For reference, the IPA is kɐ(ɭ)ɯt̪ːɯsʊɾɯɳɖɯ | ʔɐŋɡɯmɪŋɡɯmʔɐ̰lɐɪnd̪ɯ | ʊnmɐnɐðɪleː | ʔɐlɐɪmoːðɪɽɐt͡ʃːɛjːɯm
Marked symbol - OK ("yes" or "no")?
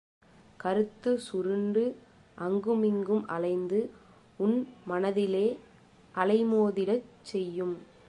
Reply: no